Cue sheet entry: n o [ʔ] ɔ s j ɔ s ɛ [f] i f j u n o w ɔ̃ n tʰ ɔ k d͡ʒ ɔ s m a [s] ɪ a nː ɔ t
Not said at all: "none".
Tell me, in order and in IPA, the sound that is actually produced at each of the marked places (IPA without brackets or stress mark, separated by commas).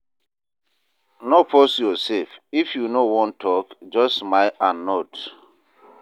p, f, none